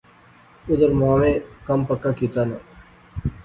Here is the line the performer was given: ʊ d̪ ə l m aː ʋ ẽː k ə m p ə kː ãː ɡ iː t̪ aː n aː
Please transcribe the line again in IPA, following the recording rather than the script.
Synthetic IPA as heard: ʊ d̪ ə ɾ m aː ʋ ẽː k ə m p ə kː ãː k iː t̪ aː n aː